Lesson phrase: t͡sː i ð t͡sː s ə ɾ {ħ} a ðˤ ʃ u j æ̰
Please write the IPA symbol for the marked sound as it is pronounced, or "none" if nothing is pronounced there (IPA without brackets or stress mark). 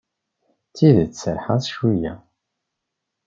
ħ